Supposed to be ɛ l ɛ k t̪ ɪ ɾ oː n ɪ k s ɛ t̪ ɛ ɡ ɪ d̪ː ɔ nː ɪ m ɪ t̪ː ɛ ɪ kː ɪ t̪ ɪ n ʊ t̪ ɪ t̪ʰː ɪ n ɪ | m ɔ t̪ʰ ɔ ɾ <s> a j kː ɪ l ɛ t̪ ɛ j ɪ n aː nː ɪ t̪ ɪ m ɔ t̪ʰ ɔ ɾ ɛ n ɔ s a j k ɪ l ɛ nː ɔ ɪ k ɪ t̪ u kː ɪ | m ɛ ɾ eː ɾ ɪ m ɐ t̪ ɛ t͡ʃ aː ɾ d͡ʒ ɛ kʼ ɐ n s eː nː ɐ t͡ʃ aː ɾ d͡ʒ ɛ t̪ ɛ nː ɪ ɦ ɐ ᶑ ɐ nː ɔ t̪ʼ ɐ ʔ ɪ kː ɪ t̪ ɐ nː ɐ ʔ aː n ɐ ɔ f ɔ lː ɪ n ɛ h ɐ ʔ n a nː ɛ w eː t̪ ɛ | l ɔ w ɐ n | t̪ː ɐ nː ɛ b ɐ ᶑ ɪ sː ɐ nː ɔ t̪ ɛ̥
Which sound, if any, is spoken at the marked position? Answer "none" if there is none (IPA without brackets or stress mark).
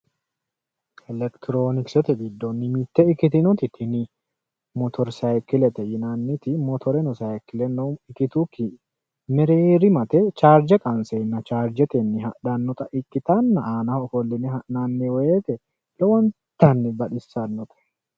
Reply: s